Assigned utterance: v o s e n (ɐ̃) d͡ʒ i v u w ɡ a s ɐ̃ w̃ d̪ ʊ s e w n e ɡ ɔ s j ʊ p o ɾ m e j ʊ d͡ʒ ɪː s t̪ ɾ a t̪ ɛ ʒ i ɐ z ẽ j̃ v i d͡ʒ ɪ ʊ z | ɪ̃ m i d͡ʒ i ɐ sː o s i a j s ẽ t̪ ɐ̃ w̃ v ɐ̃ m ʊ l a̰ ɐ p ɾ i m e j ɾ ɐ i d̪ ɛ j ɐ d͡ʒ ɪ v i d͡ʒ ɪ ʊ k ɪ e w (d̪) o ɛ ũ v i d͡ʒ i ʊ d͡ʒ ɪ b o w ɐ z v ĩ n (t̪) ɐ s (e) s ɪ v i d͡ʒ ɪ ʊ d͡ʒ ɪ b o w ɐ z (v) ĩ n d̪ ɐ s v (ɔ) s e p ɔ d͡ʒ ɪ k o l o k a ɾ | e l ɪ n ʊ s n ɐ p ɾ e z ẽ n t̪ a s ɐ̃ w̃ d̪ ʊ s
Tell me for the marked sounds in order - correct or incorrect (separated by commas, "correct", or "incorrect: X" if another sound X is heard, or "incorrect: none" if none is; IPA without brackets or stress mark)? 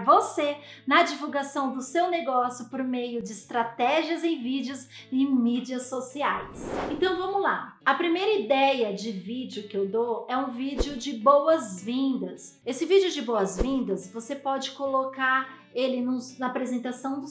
incorrect: ɐ, correct, incorrect: d̪, correct, correct, incorrect: o